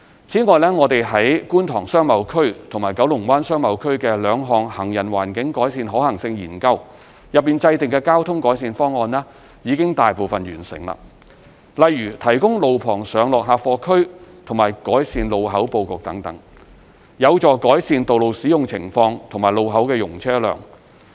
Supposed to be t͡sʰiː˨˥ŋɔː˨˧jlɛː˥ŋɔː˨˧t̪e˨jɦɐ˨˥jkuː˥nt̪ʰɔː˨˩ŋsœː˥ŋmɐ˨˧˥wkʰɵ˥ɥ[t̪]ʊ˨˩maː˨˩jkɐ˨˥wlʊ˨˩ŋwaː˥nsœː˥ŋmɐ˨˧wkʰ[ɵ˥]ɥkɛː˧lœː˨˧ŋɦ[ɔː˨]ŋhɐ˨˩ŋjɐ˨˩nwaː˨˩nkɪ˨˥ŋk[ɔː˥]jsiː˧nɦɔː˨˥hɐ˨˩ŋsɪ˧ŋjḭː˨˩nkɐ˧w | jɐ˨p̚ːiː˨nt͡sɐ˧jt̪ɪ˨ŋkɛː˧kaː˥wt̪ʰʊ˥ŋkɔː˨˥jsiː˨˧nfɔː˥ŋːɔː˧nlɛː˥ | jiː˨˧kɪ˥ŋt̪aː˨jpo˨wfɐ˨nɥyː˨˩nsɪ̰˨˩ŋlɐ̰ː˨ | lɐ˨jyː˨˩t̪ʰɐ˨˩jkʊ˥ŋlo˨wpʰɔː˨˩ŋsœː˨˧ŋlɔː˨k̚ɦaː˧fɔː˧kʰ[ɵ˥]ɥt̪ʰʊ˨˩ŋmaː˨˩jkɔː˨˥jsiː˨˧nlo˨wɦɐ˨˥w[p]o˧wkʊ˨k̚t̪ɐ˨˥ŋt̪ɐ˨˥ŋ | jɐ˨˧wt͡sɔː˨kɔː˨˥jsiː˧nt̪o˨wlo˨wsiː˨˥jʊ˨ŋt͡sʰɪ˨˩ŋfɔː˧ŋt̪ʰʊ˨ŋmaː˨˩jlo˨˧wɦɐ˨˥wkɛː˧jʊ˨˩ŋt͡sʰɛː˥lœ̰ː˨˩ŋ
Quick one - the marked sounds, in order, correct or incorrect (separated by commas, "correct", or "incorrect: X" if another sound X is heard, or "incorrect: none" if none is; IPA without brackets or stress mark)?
incorrect: t̪ʰ, correct, correct, incorrect: ɔː˨˥, correct, correct